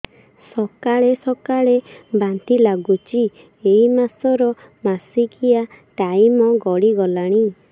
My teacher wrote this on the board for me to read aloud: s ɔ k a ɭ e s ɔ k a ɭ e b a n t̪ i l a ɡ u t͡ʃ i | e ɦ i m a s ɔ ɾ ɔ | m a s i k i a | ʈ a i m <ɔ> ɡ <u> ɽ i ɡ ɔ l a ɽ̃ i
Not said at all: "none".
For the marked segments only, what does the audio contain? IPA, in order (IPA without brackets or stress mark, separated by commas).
ɔ, ɔ